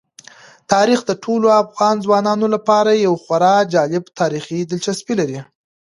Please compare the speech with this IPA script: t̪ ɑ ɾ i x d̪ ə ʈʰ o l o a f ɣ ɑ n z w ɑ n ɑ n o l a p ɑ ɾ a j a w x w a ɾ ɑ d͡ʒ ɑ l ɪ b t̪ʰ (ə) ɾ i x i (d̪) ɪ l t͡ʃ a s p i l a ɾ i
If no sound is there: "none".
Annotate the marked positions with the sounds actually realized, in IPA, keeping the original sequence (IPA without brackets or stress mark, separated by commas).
ɑ, d̪